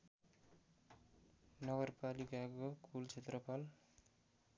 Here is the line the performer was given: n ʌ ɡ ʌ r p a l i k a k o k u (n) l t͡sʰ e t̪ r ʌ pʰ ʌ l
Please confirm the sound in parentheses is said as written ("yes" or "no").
no